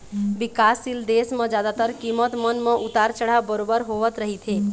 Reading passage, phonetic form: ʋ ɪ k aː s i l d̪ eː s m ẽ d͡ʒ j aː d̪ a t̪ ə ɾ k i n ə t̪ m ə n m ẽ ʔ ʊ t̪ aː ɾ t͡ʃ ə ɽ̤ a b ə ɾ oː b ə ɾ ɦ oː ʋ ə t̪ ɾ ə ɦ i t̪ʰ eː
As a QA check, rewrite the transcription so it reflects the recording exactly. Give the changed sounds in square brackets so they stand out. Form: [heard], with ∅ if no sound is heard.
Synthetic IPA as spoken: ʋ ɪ k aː s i l d̪ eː s m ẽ d͡ʒ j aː d̪ a t̪ ə ɾ k i [m] ə t̪ m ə n m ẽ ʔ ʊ t̪ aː ɾ t͡ʃ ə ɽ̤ a b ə ɾ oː b ə ɾ ɦ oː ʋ ə t̪ ɾ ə ɦ i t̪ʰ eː